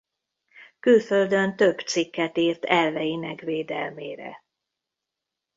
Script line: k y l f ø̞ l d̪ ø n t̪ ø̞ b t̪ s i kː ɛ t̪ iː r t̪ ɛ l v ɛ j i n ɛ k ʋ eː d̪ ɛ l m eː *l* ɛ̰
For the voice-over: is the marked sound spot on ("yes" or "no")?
no